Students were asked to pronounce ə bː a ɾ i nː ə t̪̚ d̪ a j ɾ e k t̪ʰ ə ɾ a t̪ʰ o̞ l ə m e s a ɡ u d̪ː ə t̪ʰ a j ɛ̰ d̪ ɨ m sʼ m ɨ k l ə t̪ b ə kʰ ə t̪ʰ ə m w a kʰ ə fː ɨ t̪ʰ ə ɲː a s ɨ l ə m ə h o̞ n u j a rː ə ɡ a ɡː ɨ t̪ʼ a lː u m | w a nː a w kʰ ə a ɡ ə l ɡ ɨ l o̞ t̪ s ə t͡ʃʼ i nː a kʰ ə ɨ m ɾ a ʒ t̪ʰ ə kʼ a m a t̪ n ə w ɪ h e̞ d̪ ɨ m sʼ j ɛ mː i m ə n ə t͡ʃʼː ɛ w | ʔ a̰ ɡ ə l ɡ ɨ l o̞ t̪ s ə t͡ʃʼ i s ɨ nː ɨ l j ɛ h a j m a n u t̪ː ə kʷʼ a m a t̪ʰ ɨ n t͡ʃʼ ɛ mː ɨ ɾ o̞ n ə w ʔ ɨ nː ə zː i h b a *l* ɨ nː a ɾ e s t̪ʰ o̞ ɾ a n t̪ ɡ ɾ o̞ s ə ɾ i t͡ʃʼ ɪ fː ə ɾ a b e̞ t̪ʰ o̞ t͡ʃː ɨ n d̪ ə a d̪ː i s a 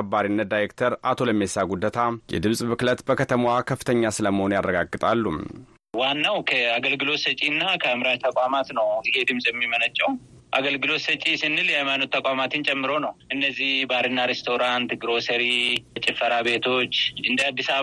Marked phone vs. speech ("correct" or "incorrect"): incorrect